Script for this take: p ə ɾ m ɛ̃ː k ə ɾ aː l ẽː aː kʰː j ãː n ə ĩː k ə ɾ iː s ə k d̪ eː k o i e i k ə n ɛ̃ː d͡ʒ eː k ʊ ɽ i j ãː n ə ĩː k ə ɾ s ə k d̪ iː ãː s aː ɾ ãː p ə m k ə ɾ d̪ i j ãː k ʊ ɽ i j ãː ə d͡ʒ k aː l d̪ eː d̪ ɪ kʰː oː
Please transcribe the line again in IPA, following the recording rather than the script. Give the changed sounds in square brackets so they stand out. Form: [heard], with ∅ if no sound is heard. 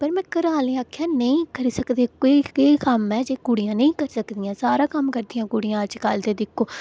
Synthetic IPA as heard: p ə ɾ m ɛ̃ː k ə ɾ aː l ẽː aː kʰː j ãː n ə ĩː k ə ɾ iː s ə k d̪ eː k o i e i k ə [m] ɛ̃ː d͡ʒ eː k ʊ ɽ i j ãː n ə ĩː k ə ɾ s ə k d̪ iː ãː s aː ɾ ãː [k] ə m k ə ɾ d̪ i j ãː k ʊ ɽ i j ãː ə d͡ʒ k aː l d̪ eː d̪ ɪ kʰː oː